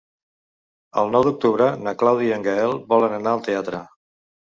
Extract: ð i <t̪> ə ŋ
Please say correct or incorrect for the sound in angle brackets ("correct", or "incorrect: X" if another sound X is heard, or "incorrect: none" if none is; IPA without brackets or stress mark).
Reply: incorrect: none